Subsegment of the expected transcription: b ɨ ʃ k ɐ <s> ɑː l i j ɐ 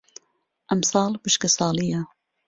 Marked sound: correct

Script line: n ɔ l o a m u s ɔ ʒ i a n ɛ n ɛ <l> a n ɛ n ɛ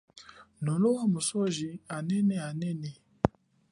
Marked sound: incorrect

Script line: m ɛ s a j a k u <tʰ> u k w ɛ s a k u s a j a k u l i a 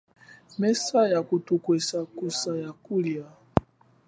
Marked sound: incorrect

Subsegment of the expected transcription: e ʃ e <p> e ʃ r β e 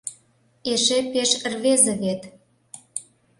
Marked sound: correct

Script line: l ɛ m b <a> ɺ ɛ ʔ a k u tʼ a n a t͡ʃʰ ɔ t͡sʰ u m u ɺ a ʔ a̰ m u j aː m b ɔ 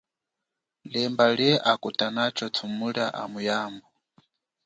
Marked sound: correct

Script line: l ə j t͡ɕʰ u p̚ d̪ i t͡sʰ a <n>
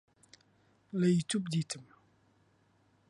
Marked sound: incorrect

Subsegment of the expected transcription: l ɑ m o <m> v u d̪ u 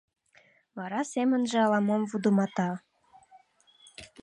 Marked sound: correct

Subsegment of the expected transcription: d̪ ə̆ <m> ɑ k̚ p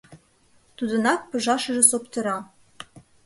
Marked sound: incorrect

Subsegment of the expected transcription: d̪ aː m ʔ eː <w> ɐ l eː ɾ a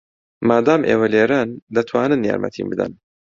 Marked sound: correct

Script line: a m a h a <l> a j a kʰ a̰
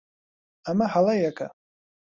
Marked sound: correct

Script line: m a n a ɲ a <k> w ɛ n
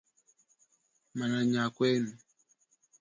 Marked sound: correct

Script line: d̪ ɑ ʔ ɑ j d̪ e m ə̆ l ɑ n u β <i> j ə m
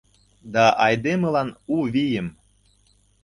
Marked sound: correct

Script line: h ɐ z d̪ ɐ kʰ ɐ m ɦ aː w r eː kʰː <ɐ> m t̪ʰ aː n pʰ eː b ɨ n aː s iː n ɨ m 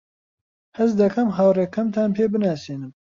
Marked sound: correct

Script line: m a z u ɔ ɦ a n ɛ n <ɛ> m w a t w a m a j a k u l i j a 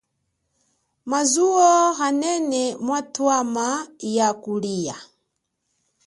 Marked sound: correct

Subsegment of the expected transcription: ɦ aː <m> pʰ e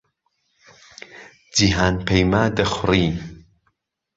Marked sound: incorrect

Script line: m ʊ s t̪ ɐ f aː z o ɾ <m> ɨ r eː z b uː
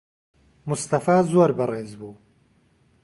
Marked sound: incorrect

